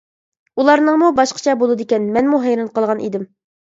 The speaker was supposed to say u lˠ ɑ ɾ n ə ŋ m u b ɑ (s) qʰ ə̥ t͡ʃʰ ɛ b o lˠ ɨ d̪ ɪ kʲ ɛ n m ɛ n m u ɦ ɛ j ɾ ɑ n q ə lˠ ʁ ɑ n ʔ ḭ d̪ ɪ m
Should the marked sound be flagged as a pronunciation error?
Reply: yes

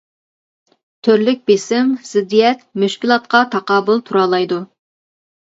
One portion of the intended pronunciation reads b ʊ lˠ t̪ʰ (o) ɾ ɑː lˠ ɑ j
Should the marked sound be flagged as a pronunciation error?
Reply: yes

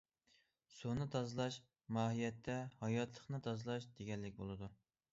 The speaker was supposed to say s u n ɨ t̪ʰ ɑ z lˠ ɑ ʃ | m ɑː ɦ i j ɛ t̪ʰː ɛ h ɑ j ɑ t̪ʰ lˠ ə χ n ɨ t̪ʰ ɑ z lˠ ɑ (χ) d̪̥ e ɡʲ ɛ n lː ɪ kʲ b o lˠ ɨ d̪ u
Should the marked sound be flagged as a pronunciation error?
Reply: yes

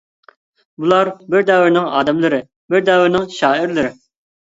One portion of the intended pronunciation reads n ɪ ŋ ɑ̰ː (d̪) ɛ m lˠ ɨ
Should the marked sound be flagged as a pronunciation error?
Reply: no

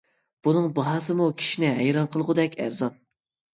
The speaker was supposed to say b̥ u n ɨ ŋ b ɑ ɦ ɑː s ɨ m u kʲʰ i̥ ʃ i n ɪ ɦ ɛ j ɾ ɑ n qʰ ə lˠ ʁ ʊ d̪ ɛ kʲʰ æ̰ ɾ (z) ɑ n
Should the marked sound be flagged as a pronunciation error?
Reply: no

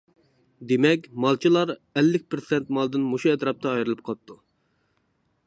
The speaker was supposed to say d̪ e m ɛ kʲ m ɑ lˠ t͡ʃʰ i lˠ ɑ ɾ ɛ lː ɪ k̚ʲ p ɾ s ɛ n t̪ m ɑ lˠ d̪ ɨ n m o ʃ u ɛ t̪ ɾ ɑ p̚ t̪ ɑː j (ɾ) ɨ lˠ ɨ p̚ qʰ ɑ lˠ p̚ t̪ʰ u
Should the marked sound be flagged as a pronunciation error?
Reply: no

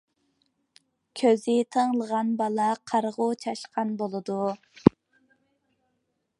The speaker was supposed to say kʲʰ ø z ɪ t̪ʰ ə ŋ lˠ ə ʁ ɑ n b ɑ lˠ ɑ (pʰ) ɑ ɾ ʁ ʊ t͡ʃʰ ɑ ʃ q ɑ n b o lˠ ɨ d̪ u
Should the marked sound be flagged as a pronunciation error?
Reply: yes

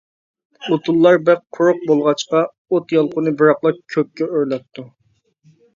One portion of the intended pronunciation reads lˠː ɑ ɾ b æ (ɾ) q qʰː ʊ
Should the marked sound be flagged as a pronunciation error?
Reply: yes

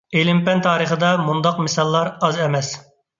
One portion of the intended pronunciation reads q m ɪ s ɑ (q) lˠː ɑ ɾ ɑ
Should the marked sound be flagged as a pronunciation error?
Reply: yes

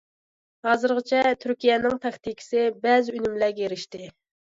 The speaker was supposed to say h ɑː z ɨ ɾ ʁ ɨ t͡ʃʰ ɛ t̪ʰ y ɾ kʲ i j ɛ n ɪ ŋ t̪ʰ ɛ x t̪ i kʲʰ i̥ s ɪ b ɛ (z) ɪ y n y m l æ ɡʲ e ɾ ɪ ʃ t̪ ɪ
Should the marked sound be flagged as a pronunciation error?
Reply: no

